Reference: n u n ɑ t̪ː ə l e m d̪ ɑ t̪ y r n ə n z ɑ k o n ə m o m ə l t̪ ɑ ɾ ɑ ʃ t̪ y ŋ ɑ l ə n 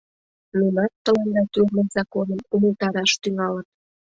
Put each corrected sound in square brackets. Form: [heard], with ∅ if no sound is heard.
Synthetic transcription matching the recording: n u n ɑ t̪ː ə l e [n] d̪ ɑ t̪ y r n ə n z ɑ k o n ə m [u] m ə l t̪ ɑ ɾ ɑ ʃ t̪ y ŋ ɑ l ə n